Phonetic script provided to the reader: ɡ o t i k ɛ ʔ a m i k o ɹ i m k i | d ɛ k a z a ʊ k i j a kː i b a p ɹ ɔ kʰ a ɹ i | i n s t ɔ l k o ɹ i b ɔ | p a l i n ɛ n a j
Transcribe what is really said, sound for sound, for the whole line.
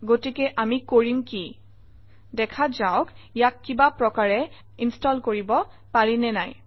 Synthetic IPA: ɡ o t i k ɛ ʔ a m i k o ɹ i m k i | d ɛ kʰ a z a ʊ k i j a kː i b a p ɹ ɔ k a ɹ ɛ | i n s t ɔ l k o ɹ i b ɔ | p a ɹ i n ɛ n a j